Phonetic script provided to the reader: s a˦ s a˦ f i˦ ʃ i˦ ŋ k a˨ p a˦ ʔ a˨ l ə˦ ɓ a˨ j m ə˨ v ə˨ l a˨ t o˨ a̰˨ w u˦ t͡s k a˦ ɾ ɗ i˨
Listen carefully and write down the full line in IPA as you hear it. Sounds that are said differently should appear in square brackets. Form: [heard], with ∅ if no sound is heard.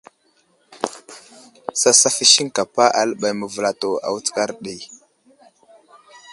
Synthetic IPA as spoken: s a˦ s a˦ f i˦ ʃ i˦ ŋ k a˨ p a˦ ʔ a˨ l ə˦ ɓ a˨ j m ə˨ v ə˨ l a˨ t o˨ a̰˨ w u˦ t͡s k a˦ ɾ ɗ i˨